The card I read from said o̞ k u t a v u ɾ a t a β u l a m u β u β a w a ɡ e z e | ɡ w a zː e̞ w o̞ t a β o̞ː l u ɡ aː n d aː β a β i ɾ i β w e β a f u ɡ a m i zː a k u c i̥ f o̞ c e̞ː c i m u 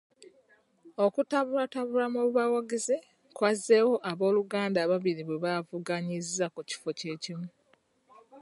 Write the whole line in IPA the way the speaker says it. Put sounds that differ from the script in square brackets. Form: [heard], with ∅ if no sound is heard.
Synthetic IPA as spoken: o̞ k u t a [β] u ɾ a t a β u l a m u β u β a w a ɡ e z e | [k] w a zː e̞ w o̞ [ʔ] a β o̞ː l u ɡ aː n d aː β a β i ɾ i β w e β a [v] u ɡ a [ɲ] i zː a k u c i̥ f o̞ c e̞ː c i m u

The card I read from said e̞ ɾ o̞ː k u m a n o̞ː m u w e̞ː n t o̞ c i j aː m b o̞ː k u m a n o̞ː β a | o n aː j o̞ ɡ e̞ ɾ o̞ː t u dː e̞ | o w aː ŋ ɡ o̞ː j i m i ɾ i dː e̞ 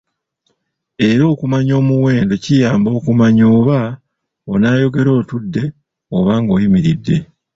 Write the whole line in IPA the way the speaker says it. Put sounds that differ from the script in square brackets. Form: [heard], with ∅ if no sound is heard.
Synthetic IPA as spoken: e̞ ɾ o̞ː k u m a [ɲ] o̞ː m u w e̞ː n [d] o̞ c i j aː m b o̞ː k u m a [ɲ] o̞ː β a | o n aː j o̞ ɡ e̞ ɾ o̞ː t u dː e̞ | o [β] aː ŋ ɡ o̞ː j i m i ɾ i dː e̞

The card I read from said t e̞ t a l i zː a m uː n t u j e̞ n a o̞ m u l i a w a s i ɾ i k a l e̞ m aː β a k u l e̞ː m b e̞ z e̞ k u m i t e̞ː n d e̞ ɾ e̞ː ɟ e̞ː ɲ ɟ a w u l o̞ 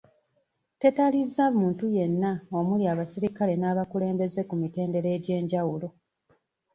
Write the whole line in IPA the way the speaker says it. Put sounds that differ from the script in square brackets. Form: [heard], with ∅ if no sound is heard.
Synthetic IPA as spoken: t e̞ t a l i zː a m uː n t u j e̞ [nː] a o̞ m u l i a [β] a s i ɾ i k a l e̞ [n] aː β a k u l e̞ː m b e̞ z e̞ k u m i t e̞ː n d e̞ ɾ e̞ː ɟ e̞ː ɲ ɟ a w u l o̞

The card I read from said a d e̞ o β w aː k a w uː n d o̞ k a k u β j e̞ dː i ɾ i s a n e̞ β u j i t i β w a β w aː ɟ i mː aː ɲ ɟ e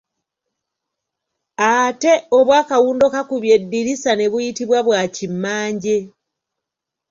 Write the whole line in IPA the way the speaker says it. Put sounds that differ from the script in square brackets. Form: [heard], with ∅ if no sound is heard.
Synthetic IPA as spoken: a [t] e̞ o β w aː k a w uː n d o̞ k a k u β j e̞ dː i ɾ i s a n e̞ β u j i t i β w a β w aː [c] i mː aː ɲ ɟ e

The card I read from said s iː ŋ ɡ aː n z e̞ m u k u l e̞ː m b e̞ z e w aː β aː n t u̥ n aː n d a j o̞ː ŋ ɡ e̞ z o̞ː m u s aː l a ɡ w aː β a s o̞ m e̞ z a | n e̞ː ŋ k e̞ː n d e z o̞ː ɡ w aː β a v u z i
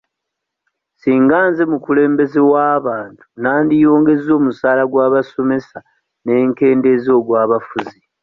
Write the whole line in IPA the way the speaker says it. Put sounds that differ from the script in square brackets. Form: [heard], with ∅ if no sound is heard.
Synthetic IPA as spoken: s iː ŋ ɡ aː n z e̞ m u k u l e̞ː m b e̞ z e w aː β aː n t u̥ n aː n d [i] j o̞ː ŋ ɡ e̞ z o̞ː m u s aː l a ɡ w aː β a s o̞ m e̞ [s] a | n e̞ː ŋ k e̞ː n d e z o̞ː ɡ w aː β a [f] u z i

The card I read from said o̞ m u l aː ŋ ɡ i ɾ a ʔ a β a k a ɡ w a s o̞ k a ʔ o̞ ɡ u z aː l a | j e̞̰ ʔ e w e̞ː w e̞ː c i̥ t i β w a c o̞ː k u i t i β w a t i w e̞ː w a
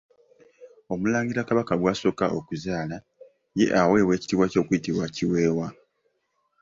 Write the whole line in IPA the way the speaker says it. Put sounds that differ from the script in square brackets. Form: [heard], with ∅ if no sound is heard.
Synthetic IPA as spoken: o̞ m u l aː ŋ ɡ i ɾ a [k] a β a k a ɡ w a s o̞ k a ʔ o̞ [k] u z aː l a | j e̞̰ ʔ [a] w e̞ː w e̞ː c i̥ t i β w a c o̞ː k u i t i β w a [c] i w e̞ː w a

